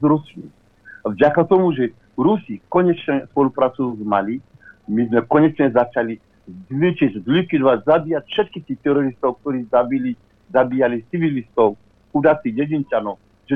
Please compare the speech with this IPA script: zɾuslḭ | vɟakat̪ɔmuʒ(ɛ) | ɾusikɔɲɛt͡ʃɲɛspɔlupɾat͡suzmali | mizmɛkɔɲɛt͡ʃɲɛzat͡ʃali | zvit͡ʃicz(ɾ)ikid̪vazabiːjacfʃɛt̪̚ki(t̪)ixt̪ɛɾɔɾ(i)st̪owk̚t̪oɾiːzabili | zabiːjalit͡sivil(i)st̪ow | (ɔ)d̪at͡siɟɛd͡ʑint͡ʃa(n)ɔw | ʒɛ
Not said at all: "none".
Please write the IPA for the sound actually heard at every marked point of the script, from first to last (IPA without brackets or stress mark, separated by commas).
ɛ, l, t̪, i, i, u, n